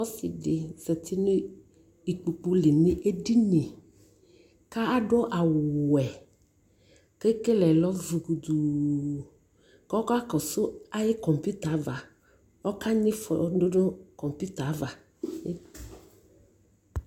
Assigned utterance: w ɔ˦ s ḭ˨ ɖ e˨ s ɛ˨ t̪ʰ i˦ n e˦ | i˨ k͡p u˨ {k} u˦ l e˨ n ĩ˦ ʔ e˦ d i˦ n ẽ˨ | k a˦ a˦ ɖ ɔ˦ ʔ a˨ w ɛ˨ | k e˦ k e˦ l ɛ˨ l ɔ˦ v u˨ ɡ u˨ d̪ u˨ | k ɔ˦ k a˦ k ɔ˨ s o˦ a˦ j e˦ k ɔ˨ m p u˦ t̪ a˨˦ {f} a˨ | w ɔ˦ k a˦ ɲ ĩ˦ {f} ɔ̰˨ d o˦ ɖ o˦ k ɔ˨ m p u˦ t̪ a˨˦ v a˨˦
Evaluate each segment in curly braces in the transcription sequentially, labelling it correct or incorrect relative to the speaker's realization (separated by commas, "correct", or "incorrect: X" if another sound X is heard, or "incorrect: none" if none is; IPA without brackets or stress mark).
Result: incorrect: k͡p, incorrect: v, correct